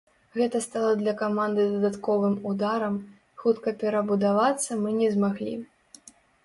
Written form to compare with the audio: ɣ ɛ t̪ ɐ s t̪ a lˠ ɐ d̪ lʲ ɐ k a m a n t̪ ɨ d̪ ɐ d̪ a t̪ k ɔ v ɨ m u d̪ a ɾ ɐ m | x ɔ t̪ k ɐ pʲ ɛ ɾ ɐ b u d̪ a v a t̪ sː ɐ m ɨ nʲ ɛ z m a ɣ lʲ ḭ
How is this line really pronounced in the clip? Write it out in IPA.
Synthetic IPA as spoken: ɣ ɛ t̪ ɐ s t̪ a lˠ ɐ d̪ lʲ ɐ k a m a n d̪ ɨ d̪ ɐ d̪ a t̪ k ɔ v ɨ m u d̪ a ɾ ɐ m | x u t̪ k ɐ pʲ ɛ ɾ ɐ b u d̪ a v a t̪ sː ɐ m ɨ nʲ ɛ z m a ɣ lʲ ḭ